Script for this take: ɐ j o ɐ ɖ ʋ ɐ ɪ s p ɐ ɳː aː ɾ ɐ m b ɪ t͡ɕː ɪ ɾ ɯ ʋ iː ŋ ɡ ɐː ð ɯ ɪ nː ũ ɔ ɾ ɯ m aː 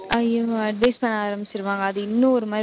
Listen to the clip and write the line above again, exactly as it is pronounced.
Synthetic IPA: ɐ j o ɐ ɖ ʋ ɐ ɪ s p ɐ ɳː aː ɾ ɐ m b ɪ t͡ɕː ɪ ɾ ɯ ʋ aː ŋ ɡ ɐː ð ɯ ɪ nː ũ ɔ ɾ ɯ m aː

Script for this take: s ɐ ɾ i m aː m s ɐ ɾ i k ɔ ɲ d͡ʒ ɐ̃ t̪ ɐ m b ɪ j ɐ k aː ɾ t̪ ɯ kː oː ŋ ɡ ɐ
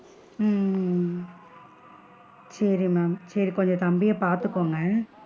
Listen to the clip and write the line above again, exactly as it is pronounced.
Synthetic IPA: s ɐ ɾ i m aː m s ɐ ɾ i k ɔ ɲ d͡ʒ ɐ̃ t̪ ɐ m b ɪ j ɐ p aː ɾ t̪ ɯ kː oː ŋ ɡ ɐ

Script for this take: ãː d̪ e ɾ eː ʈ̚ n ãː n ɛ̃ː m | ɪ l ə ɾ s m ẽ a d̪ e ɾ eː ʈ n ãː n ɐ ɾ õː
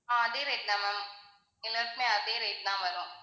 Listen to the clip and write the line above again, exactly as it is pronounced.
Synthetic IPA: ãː d̪ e ɾ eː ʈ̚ n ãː m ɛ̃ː m | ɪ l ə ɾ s m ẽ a d̪ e ɾ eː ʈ n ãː m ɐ ɾ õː

